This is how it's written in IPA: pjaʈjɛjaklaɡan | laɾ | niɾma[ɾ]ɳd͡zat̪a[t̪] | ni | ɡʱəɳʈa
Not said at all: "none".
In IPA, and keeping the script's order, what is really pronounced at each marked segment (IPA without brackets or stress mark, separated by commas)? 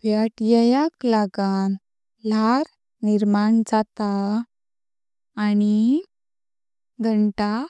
none, none